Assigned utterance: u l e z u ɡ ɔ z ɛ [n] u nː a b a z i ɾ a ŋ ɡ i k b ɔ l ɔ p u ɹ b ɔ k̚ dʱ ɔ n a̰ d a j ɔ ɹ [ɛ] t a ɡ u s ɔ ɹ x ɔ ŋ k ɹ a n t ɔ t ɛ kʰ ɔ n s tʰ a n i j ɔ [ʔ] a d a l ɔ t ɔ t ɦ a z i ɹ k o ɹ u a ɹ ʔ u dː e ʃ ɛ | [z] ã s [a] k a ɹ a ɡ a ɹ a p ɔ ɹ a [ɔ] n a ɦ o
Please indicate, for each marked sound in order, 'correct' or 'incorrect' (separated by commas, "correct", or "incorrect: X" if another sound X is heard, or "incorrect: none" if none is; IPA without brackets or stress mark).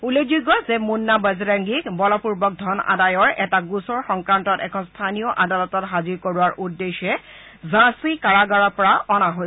incorrect: m, correct, correct, correct, incorrect: i, correct